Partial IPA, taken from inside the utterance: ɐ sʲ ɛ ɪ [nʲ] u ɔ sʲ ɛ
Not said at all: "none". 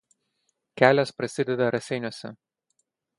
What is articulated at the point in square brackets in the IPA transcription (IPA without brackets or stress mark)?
nʲ